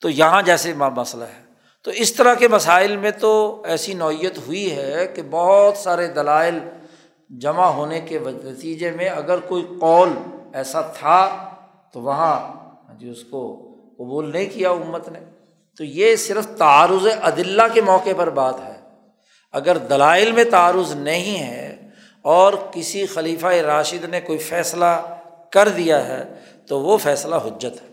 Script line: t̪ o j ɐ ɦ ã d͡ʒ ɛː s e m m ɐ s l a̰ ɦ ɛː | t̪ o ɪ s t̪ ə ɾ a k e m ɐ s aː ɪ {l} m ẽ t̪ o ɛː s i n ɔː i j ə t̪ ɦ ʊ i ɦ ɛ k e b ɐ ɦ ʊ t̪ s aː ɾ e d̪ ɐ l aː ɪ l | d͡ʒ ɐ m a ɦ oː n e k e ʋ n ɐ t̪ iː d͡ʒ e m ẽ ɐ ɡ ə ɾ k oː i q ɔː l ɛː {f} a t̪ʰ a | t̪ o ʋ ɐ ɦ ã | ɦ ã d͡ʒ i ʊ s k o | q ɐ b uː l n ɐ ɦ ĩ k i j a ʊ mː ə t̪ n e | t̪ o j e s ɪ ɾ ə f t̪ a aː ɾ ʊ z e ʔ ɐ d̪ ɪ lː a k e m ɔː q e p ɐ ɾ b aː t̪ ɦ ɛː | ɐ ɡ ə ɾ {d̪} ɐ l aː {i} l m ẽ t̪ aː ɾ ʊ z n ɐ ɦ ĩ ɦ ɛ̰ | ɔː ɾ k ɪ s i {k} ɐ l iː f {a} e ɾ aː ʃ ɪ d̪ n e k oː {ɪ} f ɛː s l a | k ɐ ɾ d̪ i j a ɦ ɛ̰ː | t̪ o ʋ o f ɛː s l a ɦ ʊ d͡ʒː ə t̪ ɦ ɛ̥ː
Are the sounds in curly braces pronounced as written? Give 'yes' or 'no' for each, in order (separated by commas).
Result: yes, no, yes, no, no, yes, no